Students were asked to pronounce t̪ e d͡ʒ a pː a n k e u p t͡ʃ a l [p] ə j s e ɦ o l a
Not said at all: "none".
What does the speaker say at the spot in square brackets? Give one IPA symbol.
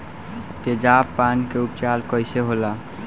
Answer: k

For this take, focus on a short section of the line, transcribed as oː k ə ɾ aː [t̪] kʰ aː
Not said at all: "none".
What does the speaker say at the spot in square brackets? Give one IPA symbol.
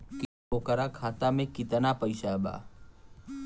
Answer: none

